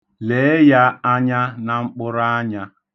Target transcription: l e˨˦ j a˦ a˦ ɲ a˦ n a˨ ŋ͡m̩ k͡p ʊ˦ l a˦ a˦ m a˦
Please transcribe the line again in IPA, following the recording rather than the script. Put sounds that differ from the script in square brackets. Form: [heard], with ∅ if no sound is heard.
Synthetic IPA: l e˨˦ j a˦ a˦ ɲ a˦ n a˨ ŋ͡m̩ k͡p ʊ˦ [ɾ] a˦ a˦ [ɲ] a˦